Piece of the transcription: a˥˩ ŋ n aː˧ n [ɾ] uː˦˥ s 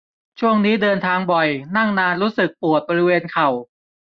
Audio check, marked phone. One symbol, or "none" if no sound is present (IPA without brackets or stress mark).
ɾ